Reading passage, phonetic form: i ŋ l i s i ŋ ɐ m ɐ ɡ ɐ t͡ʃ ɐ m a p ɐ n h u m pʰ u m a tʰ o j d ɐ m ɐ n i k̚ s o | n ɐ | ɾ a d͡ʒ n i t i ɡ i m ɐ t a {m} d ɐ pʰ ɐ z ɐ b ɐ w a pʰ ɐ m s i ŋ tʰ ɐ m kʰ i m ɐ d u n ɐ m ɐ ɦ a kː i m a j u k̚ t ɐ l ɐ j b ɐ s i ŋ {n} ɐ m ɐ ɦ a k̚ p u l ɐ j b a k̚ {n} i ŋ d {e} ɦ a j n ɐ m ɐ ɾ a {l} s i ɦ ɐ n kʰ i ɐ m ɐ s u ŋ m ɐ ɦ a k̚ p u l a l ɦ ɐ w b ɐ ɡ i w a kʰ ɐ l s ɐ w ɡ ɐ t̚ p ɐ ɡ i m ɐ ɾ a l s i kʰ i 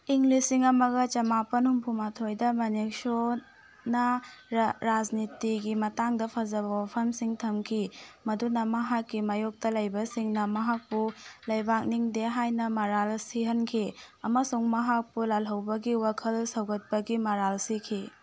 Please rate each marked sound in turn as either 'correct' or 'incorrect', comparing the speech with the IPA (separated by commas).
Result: incorrect, correct, correct, correct, correct